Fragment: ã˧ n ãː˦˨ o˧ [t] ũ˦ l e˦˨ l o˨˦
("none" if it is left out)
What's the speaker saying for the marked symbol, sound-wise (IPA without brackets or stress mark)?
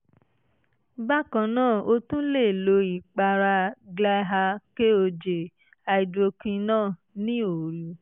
t